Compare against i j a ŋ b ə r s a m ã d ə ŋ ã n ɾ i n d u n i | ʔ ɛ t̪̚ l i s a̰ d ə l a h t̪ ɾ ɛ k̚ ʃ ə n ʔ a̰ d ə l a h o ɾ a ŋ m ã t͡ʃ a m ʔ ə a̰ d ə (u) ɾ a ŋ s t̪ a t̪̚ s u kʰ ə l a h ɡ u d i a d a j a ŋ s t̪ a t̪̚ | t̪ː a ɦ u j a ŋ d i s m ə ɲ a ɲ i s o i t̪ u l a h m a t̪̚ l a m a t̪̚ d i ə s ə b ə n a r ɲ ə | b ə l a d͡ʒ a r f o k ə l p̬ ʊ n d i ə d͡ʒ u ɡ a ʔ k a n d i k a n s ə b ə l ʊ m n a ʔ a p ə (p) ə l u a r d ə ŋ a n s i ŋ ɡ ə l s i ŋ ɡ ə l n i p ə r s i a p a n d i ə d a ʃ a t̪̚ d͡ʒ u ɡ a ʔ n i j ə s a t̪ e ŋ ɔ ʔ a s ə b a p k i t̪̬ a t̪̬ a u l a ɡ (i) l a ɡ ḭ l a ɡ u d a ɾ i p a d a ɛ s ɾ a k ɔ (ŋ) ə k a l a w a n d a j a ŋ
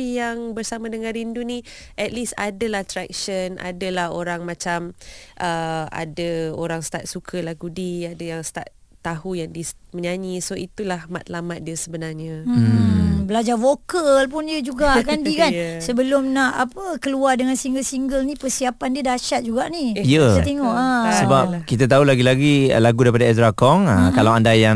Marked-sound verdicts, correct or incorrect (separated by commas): incorrect, incorrect, correct, correct